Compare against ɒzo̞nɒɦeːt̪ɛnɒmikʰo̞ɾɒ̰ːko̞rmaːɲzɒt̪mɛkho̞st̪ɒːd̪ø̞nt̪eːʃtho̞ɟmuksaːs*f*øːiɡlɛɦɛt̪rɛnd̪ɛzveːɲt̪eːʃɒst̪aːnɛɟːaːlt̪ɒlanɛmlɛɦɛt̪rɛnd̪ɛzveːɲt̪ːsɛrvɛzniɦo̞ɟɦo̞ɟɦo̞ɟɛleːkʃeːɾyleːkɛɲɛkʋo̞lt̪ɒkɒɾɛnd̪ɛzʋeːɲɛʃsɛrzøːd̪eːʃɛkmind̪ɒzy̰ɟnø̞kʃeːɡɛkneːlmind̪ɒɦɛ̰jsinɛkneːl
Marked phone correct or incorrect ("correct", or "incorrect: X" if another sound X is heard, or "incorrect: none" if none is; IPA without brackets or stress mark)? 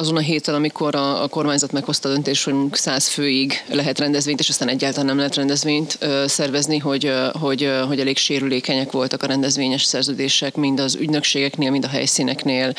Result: correct